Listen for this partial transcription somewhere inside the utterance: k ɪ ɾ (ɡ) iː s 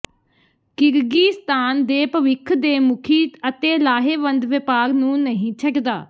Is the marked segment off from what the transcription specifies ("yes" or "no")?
no